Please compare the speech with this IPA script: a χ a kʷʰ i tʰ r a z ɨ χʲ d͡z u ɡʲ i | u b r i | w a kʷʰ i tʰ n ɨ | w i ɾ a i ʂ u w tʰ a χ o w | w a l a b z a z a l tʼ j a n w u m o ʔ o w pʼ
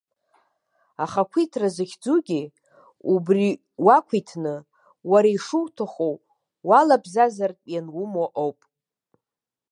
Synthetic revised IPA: a χ a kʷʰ i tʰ r a z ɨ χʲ d͡z u ɡʲ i | u b r i | w a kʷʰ i tʰ n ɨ | w a ɾ a i ʂ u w tʰ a χ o w | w a l a b z a z a r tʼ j a n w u m o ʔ o w pʼ